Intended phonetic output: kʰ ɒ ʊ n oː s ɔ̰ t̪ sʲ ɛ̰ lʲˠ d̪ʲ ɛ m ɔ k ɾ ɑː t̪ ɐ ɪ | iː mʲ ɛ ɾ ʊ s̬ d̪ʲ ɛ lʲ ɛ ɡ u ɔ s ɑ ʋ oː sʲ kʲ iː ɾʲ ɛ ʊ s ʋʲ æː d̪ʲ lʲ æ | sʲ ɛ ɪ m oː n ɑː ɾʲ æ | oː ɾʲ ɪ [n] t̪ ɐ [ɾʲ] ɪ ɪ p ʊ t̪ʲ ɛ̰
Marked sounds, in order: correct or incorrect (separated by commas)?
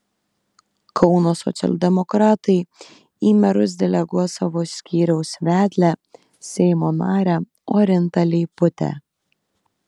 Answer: correct, incorrect